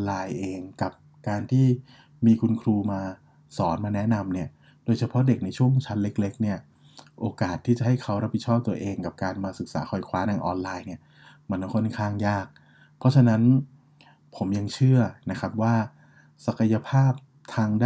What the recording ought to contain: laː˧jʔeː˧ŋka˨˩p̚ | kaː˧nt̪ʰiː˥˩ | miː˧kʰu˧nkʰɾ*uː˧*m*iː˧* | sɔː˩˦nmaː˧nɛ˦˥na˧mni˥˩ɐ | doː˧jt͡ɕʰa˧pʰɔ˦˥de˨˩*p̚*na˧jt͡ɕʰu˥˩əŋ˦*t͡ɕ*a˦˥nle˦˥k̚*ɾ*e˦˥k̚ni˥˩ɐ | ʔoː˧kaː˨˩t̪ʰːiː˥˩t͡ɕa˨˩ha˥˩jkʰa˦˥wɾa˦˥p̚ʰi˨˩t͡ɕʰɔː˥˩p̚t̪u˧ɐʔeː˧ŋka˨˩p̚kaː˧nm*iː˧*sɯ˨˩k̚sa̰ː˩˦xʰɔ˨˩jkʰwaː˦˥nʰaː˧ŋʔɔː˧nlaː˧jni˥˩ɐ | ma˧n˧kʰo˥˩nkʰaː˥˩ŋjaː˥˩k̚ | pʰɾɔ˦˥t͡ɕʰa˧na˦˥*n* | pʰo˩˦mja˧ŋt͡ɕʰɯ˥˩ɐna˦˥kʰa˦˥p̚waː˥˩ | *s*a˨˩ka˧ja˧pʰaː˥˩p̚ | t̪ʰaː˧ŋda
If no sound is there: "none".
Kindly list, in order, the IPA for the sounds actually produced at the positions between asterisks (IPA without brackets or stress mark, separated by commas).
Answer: uː˧, aː˧, k̚, t͡ɕʰ, l, aː˧, n, s